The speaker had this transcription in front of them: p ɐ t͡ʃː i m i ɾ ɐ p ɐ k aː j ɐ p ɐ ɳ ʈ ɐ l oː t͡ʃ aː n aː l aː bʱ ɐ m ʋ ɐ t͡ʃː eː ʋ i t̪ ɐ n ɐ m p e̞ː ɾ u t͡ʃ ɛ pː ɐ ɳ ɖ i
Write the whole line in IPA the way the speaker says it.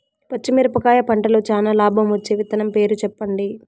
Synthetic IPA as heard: p ɐ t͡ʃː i m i ɾ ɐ p ɐ k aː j ɐ p ɐ ɳ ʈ ɐ l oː t͡ʃ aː n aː l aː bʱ ɐ m ʋ ɐ t͡ʃː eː ʋ i t̪ ɐ n ɐ m p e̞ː ɾ u t͡ʃ ɛ pː ɐ ɳ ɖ i